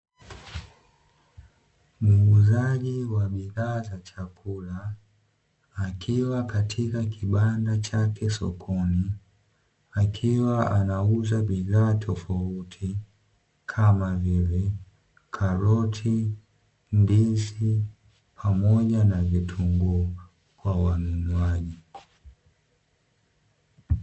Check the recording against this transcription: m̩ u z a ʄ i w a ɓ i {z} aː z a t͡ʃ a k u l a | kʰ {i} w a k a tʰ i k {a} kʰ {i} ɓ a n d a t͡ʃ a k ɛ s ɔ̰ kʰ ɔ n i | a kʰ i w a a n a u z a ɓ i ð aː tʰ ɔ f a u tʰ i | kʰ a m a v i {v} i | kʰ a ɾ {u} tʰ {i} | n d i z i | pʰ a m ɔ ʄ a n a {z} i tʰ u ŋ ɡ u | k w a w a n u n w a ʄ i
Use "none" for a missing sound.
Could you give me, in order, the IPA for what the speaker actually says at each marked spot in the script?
ð, i, a, i, v, ɔ, i, v

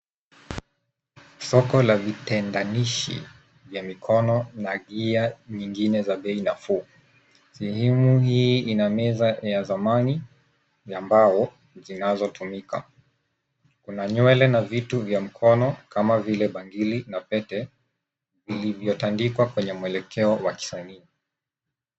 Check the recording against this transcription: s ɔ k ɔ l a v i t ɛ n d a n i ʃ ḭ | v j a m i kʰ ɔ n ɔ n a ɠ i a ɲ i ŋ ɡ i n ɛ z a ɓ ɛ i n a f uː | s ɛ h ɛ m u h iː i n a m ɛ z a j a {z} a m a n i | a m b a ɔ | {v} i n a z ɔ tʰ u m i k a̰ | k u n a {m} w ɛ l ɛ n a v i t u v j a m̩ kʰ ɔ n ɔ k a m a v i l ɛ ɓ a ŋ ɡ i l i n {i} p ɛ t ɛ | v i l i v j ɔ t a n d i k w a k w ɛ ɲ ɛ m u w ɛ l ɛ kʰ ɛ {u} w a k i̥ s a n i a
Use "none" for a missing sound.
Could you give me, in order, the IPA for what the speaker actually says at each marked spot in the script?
z, z, ɲ, a, ɔ

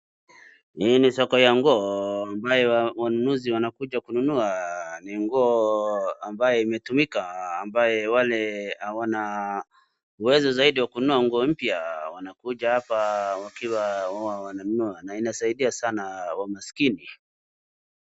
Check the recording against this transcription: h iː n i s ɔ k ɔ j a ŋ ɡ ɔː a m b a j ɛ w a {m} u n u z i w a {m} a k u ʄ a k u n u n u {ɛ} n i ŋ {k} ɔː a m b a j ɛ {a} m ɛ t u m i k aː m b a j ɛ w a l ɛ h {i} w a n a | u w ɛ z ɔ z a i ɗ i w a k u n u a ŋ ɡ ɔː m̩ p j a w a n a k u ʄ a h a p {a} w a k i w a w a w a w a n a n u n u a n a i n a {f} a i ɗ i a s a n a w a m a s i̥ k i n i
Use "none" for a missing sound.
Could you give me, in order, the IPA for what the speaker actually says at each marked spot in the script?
n, n, a, ɡ, i, a, a, s

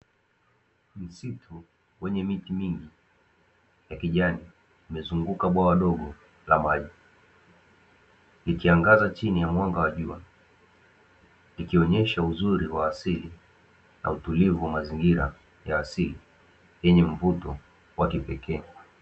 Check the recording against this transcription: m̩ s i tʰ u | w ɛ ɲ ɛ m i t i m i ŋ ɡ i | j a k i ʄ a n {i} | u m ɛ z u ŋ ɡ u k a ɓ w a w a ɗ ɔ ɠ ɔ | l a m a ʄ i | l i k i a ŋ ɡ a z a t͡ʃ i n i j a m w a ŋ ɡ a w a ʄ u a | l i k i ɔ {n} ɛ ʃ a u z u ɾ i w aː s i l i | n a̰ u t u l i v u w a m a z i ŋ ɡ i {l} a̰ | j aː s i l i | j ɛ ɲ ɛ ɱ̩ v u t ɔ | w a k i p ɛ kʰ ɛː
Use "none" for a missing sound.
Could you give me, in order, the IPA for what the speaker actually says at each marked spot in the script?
i, ɲ, ɾ

